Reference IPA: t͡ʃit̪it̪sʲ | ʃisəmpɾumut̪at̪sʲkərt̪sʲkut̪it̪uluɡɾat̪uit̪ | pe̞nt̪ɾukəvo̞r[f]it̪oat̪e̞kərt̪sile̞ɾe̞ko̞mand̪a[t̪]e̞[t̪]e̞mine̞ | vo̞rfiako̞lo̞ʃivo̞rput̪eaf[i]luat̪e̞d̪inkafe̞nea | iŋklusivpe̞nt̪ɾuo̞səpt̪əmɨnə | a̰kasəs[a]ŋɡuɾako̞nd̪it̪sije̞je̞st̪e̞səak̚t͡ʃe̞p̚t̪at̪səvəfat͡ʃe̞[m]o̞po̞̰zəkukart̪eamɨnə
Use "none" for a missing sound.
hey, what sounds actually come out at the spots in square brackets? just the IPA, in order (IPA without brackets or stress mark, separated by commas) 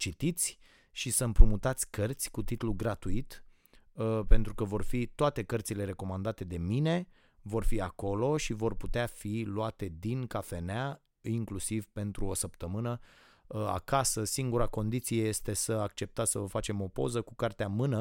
f, t̪, d̪, i, i, m